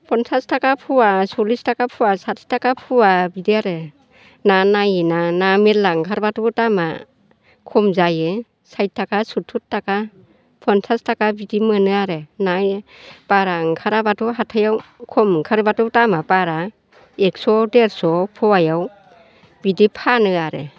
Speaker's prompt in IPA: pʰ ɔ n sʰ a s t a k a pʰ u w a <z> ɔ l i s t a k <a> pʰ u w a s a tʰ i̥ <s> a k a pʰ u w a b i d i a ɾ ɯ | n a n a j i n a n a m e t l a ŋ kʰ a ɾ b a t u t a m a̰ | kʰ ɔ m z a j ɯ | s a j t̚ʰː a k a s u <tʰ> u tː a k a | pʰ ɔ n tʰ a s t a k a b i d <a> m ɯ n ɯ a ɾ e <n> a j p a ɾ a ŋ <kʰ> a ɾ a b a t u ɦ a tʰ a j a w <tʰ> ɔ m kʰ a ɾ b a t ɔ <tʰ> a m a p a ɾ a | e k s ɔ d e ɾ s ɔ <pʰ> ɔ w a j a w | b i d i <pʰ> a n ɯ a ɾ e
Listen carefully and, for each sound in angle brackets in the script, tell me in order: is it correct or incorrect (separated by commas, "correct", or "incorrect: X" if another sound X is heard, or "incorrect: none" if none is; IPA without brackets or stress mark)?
incorrect: s, correct, incorrect: t, correct, incorrect: i, correct, correct, incorrect: kʰ, incorrect: t, correct, correct